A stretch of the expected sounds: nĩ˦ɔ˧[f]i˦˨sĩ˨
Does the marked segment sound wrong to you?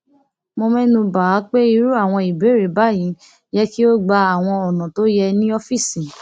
no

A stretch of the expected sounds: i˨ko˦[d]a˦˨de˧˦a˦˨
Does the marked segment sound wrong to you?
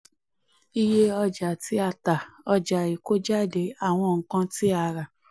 yes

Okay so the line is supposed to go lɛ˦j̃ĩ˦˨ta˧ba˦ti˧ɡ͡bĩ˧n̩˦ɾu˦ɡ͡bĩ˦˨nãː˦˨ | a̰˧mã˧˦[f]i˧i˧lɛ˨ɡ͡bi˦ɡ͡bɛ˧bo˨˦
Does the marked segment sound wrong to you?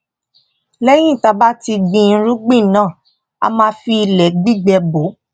no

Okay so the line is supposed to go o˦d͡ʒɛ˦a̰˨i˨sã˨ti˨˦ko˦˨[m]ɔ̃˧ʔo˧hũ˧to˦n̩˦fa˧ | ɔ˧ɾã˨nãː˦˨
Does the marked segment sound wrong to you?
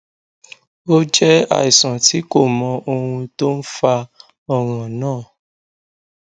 no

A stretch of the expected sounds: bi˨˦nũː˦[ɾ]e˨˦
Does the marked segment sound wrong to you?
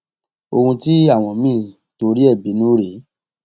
no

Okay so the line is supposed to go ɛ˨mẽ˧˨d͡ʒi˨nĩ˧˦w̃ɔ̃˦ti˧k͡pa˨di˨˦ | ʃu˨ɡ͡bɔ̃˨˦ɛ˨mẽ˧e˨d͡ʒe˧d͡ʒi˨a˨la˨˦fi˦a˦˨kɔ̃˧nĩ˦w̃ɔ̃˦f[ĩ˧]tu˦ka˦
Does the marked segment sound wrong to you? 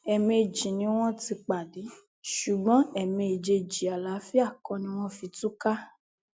yes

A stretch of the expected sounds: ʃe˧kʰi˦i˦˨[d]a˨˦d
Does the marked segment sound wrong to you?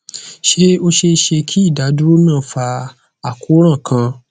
no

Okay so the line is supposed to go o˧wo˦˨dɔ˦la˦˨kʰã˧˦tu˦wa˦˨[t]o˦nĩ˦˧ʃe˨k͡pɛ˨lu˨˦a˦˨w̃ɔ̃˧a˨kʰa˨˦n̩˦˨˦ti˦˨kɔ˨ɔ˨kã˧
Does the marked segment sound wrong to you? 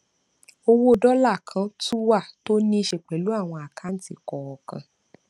no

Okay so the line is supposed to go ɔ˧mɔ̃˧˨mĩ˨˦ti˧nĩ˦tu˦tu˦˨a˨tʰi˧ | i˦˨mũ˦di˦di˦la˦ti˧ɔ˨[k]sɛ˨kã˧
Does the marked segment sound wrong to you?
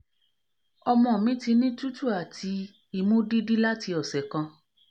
yes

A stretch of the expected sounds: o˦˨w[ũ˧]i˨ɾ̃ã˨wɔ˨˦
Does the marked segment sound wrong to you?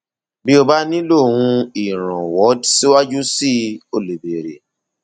no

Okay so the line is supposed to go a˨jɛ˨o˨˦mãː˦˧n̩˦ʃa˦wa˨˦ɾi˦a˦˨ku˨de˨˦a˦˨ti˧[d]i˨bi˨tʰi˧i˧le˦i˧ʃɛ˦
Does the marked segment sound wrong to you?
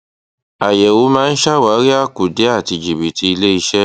yes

